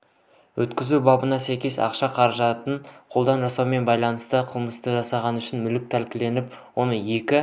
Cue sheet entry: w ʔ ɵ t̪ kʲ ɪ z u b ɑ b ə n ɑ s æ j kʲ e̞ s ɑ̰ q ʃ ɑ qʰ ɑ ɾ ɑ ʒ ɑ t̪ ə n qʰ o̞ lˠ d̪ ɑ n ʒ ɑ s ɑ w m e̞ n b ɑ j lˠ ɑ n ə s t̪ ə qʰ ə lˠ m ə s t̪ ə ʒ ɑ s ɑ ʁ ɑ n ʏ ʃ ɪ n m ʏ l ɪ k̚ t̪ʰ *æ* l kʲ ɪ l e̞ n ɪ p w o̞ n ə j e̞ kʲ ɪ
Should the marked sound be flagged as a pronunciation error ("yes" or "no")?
no